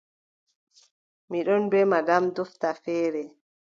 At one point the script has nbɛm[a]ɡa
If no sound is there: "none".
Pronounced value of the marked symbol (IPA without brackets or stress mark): a